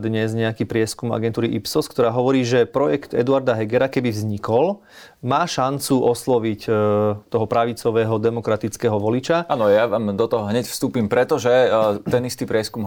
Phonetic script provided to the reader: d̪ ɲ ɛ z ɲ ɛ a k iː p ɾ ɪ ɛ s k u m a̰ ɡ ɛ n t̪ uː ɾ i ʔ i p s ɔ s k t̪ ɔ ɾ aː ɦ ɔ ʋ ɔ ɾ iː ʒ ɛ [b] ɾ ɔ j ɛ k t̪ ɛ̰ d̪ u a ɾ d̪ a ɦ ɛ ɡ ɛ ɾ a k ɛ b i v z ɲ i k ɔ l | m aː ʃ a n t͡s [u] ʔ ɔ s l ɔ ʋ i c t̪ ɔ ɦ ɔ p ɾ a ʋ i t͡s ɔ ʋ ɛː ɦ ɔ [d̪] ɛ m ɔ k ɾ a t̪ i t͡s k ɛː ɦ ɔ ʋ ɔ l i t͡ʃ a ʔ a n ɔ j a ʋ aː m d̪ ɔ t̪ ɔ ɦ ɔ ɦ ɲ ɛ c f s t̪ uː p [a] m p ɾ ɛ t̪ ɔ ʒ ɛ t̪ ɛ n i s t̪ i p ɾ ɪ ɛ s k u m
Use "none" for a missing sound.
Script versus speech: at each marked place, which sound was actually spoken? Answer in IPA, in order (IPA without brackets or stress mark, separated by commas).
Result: p, u, d̪, i